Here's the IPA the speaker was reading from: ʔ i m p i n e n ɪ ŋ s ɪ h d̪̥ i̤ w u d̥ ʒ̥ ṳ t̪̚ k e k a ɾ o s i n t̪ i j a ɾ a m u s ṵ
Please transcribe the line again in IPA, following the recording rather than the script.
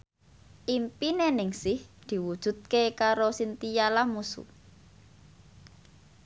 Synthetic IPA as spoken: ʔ i m p i n e n ɪ ŋ s ɪ h d̪̥ i̤ w u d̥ ʒ̥ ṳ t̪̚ k e k a ɾ o s i n t̪ i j a l a m u s ṵ